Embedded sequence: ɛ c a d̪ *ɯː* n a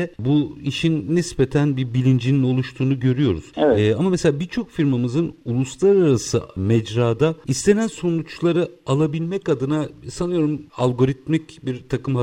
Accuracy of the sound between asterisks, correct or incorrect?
incorrect